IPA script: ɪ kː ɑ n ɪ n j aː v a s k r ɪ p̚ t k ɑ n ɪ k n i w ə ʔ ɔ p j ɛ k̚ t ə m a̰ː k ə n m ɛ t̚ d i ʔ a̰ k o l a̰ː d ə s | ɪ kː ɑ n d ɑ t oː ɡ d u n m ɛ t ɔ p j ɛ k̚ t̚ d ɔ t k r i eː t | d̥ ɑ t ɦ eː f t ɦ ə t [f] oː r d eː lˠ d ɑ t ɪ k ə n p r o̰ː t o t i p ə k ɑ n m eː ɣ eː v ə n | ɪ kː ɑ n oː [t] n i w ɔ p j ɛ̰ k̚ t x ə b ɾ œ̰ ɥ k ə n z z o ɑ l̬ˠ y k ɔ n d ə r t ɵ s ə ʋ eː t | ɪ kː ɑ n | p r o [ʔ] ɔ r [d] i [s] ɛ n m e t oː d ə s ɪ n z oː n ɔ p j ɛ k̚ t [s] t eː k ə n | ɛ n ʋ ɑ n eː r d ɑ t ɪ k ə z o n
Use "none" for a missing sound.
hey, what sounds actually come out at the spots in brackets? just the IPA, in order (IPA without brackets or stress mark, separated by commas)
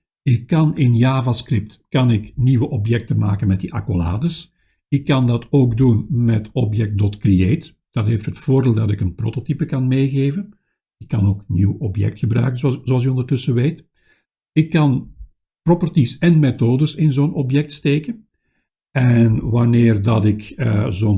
f, k, p, t, s, s